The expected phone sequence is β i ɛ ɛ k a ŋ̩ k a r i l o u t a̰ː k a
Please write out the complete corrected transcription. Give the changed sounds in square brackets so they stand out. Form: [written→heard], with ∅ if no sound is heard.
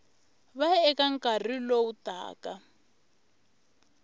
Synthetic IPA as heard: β [i→a] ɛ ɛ k a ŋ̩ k a r i l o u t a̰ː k a